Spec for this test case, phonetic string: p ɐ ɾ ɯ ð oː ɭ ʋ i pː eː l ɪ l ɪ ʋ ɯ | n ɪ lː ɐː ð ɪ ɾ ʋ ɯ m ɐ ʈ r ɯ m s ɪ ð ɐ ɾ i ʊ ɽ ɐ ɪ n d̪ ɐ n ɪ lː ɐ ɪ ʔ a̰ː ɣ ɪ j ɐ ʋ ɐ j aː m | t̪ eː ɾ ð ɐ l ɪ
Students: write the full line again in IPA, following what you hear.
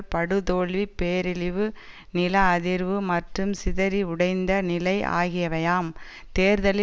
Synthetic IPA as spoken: p ɐ ɽ ɯ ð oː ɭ ʋ i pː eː ɾ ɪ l ɪ ʋ ɯ | n ɪ l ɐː ð ɪ ɾ ʋ ɯ m ɐ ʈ r ɯ m s ɪ ð ɐ ɾ i ʊ ɽ ɐ ɪ n d̪ ɐ n ɪ l ɐ ɪ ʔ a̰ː ɣ ɪ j ɐ ʋ ɐ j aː m | t̪ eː ɾ ð ɐ l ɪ